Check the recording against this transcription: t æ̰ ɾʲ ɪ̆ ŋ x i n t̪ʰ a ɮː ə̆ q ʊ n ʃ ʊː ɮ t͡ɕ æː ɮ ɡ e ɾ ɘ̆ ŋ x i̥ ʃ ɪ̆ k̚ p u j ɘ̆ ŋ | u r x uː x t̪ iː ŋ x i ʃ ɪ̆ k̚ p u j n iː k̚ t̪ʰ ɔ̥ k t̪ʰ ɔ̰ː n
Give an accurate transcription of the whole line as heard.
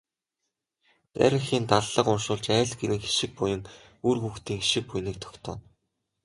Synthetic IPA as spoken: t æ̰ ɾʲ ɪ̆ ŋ x iː n t̪ a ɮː ə̆ q ʊ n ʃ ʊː ɮ t͡ɕ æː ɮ ɡ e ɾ ɘ̆ ŋ x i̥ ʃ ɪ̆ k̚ p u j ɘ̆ ŋ | u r x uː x t̪ iː ŋ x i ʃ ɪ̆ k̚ p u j n iː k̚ t̪ʰ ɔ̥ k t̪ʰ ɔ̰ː n